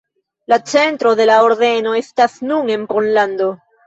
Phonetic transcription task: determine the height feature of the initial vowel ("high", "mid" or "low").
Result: low